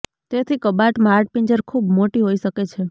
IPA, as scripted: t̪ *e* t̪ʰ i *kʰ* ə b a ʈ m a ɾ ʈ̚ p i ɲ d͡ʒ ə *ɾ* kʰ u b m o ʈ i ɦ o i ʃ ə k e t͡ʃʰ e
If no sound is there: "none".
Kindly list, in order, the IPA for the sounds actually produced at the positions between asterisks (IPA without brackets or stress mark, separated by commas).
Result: e, k, ɾ